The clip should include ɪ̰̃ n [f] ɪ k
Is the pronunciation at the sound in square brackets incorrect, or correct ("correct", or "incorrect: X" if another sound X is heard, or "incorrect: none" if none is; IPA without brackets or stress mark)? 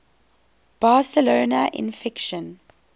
correct